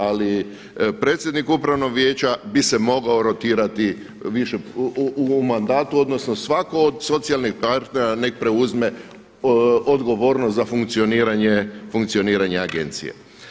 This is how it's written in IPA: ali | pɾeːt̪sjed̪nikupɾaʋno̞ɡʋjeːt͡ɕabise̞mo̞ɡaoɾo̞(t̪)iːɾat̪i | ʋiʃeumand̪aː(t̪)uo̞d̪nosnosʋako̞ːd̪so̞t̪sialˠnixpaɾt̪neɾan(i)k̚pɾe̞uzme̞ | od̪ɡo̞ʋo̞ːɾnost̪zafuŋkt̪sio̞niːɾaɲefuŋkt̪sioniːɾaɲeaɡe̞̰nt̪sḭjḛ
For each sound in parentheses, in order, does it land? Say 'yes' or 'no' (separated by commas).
yes, yes, no